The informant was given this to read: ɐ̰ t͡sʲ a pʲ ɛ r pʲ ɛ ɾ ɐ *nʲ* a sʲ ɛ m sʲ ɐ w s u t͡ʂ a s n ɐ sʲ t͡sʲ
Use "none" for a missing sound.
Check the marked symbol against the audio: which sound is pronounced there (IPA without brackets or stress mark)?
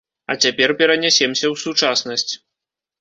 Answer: nʲ